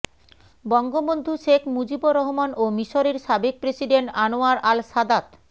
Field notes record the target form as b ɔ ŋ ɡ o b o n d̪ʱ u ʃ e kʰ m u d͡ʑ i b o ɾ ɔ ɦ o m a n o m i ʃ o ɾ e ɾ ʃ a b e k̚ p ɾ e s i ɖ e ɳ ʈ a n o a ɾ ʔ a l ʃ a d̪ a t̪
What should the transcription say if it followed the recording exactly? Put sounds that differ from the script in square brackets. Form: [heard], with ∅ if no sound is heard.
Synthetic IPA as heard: b ɔ ŋ ɡ o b o n d̪ʱ u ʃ e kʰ m u d͡ʑ i b o ɾ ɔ ɦ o m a n o m i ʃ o ɾ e ɾ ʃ a b e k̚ p ɾ e s i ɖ e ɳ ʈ a n o a ɾ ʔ a l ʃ a d̪ a t̪